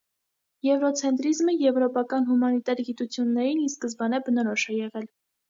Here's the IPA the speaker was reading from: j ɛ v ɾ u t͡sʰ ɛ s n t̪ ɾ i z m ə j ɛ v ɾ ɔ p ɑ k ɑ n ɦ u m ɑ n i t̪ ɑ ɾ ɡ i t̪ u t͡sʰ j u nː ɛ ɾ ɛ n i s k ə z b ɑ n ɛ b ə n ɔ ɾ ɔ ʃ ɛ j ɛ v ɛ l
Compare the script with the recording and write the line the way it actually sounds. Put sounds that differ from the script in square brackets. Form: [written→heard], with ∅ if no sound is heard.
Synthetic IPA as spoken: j ɛ v ɾ [u→ɔ] t͡sʰ ɛ [s→∅] n t̪ ɾ i z m ə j ɛ v ɾ ɔ p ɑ k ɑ n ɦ u m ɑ n i t̪ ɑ ɾ ɡ i t̪ u t͡sʰ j u nː ɛ ɾ [ɛ→i] n i s k ə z b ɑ n ɛ b ə n ɔ ɾ ɔ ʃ ɛ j ɛ [v→ʁ] ɛ l